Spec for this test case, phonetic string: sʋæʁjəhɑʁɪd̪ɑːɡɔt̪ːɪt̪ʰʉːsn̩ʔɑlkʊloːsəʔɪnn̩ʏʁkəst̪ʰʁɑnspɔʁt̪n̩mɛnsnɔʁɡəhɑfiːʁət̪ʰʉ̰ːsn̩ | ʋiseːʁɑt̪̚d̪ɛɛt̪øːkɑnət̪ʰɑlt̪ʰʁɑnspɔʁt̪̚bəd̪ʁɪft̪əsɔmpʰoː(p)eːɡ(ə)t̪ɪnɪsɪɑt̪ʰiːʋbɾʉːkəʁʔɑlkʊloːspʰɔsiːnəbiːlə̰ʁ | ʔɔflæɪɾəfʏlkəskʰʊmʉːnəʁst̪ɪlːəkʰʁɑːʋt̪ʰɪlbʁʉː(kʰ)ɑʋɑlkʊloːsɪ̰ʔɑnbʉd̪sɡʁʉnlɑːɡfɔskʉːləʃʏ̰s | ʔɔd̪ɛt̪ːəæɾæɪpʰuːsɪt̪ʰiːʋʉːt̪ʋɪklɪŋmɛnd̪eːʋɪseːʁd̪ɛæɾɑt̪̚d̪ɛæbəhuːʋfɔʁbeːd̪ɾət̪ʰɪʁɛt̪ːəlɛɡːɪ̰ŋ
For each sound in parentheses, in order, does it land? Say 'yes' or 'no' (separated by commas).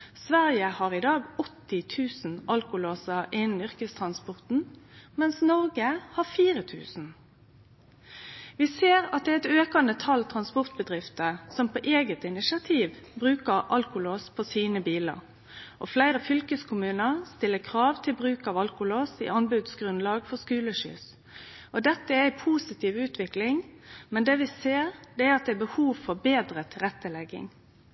no, yes, no